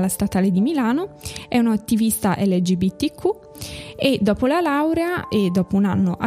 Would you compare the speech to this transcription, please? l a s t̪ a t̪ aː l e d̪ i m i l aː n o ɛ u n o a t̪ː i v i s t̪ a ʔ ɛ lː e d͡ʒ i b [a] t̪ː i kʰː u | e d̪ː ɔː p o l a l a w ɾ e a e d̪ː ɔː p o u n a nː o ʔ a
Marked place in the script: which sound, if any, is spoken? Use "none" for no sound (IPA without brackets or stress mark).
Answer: i